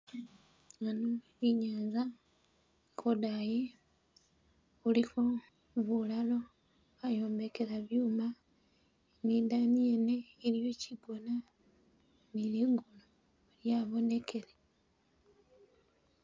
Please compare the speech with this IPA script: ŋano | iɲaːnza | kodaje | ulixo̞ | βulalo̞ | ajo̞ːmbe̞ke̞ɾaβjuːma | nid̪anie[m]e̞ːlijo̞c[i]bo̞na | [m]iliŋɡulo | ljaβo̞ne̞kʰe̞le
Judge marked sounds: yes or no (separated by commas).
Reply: no, yes, no